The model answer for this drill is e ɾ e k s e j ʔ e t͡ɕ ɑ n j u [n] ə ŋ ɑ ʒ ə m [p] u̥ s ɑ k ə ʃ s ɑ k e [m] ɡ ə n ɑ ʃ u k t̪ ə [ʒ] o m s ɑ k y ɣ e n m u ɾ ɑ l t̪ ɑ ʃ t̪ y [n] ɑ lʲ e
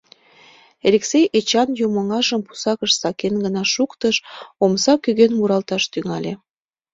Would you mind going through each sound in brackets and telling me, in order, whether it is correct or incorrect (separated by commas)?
incorrect, correct, incorrect, incorrect, incorrect